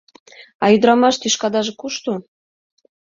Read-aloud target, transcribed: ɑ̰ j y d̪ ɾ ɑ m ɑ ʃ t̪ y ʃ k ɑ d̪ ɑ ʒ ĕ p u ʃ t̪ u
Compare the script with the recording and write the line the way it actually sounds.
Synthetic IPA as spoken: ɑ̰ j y d̪ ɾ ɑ m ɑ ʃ t̪ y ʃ k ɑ d̪ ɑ ʒ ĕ k u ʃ t̪ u